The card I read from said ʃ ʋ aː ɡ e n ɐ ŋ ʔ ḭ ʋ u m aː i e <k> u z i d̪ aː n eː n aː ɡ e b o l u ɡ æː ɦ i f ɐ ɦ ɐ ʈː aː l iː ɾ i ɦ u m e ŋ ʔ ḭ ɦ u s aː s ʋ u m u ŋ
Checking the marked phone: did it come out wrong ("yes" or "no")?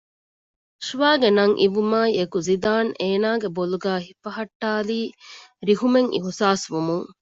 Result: no